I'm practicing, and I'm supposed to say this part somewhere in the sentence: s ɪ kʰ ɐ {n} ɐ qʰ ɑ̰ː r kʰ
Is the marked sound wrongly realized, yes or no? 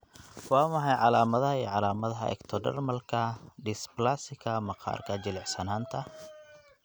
yes